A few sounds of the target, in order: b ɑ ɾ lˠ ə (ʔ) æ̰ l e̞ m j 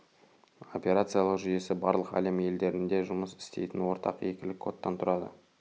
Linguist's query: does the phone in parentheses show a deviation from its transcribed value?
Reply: yes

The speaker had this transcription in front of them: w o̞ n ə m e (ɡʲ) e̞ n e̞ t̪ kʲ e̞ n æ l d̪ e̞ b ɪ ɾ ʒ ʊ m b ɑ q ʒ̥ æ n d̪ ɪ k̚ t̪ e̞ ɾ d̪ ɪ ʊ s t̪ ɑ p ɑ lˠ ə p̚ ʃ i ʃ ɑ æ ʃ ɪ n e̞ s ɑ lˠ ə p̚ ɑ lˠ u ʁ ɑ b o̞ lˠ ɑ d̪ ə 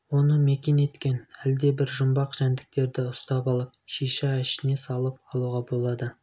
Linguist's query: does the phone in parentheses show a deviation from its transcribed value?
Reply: yes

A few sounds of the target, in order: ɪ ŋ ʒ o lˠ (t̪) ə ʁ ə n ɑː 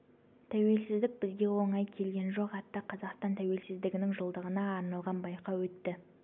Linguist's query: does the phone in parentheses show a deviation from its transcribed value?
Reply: yes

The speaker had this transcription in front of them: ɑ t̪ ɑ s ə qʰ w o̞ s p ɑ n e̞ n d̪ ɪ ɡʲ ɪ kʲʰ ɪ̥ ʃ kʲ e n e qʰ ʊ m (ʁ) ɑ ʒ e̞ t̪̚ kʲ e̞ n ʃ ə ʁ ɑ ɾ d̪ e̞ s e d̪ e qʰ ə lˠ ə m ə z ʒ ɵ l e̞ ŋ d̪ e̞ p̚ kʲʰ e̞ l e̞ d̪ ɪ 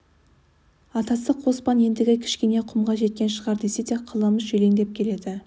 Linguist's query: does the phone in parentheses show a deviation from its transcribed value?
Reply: no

